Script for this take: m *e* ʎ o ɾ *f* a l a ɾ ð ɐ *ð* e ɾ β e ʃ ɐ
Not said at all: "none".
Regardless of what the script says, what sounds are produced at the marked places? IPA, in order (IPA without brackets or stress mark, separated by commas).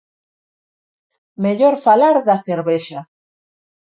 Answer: e, f, θ